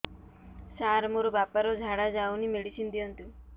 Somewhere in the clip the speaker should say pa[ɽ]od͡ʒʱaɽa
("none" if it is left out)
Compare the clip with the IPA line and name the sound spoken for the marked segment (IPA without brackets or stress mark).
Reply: ɾ